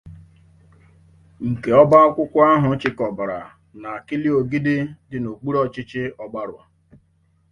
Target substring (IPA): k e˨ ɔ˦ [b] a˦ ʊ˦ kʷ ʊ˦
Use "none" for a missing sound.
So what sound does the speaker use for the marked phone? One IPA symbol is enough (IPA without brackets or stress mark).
b